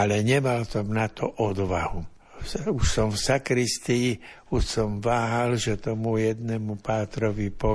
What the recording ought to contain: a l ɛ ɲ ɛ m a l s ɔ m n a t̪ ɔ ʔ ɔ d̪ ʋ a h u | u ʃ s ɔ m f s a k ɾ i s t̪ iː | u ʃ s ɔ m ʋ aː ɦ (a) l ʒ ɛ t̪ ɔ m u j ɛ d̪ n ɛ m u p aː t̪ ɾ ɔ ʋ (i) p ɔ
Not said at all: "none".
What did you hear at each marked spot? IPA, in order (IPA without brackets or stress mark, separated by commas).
a, i